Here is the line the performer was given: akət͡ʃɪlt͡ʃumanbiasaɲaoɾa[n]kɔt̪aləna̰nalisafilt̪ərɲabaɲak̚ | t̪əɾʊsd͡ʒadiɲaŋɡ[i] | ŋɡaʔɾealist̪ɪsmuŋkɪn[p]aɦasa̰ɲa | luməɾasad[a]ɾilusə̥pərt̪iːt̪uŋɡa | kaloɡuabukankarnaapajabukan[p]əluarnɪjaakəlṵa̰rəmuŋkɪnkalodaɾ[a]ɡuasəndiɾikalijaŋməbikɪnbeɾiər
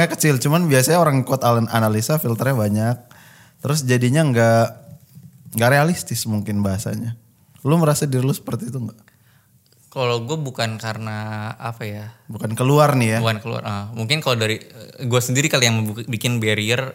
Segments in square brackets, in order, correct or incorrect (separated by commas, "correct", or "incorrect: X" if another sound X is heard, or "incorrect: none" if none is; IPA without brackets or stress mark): incorrect: ŋ, incorrect: a, incorrect: b, incorrect: i, incorrect: k, incorrect: i